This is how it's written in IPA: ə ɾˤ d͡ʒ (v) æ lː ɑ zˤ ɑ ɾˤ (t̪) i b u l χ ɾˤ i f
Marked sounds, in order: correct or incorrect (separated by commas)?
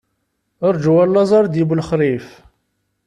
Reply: incorrect, incorrect